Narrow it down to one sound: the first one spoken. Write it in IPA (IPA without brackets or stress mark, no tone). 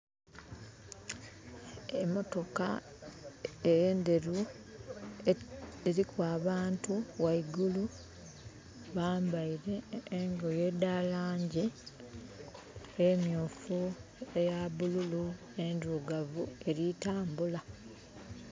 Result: e